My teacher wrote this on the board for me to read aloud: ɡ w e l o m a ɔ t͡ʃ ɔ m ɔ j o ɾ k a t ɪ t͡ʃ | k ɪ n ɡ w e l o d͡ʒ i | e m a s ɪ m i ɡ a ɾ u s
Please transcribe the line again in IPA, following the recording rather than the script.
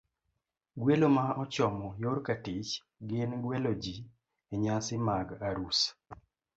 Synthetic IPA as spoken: ɡ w e l o m a ɔ t͡ʃ ɔ m ɔ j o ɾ k a t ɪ t͡ʃ | ɡ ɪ n ɡ w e l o d͡ʒ i | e ɲ a s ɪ m a ɡ a ɾ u s